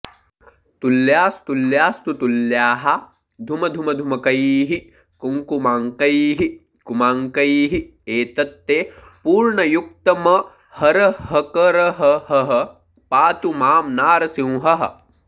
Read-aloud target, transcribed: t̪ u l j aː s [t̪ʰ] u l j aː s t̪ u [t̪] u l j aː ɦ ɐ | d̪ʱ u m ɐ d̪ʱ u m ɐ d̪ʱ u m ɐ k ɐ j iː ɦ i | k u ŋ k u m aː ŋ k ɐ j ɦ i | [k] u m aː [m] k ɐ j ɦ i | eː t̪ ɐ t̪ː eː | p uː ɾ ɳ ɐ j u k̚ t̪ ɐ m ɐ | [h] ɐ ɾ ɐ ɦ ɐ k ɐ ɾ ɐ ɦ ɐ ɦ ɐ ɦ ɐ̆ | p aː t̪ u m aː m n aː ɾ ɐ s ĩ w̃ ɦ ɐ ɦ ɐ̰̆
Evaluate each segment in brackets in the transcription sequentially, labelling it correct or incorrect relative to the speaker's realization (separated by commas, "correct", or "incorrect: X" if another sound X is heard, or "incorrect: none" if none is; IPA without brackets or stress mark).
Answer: incorrect: t̪, correct, correct, incorrect: ŋ, correct